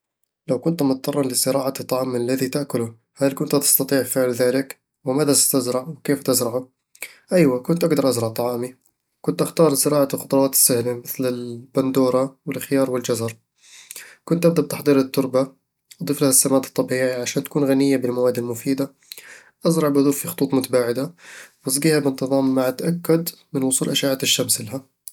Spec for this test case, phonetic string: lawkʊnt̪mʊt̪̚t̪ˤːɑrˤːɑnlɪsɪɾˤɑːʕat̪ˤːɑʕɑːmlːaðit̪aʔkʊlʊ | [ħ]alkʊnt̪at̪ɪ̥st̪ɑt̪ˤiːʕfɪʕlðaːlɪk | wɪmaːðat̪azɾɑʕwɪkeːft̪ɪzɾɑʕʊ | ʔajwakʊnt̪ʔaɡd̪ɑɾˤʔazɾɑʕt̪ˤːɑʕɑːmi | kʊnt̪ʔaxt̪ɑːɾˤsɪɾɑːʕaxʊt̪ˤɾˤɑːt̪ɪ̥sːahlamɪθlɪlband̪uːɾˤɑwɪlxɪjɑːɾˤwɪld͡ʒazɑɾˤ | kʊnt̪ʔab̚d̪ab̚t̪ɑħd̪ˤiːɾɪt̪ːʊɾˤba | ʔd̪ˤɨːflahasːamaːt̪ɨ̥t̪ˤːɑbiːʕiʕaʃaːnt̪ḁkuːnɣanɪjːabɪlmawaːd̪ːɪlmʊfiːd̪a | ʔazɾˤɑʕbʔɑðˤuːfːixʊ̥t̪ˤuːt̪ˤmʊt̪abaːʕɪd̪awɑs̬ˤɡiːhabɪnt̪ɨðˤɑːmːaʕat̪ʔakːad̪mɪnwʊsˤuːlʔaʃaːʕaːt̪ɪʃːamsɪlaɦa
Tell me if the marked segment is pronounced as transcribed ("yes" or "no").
no